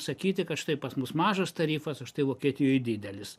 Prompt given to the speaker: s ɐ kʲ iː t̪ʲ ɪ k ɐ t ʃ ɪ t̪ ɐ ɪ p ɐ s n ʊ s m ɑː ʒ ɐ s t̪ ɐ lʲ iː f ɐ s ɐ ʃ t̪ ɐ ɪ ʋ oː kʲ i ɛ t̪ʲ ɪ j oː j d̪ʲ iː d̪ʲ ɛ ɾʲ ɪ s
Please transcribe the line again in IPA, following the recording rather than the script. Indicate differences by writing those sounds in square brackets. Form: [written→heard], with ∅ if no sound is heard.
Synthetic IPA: s ɐ kʲ iː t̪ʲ ɪ k ɐ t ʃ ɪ t̪ ɐ ɪ p ɐ s [n→m] ʊ s m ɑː ʒ ɐ s t̪ ɐ [lʲ→ɾʲ] iː f ɐ s ɐ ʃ t̪ ɐ ɪ ʋ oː kʲ i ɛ t̪ʲ ɪ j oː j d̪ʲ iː d̪ʲ ɛ [ɾʲ→lʲ] ɪ s